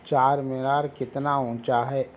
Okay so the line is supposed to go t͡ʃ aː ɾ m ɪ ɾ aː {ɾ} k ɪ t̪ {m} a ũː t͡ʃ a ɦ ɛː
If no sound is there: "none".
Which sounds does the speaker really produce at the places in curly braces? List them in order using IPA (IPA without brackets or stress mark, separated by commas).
ɾ, n